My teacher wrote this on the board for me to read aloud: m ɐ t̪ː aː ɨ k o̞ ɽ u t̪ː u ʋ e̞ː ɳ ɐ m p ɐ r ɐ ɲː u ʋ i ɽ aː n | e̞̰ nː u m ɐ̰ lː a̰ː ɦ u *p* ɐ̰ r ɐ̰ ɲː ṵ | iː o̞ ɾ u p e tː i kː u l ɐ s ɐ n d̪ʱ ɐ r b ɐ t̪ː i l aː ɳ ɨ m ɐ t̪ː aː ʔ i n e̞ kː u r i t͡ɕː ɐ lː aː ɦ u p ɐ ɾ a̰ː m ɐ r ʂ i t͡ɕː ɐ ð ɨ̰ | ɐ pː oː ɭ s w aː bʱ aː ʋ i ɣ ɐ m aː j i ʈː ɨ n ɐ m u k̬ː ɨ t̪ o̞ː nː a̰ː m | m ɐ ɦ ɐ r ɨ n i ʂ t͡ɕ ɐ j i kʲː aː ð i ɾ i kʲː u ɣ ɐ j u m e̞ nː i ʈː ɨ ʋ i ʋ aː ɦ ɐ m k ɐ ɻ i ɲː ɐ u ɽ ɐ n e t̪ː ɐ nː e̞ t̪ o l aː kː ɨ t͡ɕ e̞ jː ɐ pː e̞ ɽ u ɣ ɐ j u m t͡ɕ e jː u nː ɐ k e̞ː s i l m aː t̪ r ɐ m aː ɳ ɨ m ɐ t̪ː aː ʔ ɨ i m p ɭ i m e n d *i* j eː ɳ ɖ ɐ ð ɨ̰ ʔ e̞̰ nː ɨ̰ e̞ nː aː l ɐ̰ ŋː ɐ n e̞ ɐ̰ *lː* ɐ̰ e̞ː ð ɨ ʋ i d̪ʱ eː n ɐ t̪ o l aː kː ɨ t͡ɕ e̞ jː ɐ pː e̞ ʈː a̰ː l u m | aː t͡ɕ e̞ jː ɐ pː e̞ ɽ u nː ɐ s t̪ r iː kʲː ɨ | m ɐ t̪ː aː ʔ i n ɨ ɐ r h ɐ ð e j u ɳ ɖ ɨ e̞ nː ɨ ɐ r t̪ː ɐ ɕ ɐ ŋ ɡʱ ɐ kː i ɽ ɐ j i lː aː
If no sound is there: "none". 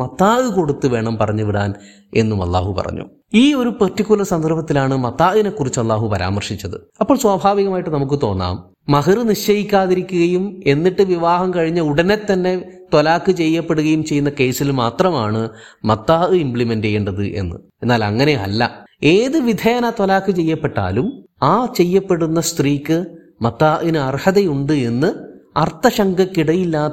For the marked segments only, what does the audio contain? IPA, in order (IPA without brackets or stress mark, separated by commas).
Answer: p, e, lː